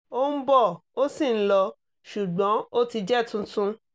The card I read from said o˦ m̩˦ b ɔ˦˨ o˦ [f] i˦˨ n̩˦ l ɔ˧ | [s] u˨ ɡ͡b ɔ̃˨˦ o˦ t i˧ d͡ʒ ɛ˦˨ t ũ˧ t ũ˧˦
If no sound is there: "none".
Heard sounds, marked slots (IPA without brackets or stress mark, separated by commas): s, ʃ